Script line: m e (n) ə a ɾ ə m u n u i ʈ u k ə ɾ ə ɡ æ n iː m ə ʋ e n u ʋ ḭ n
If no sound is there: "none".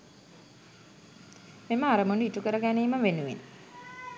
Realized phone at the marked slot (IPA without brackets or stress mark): m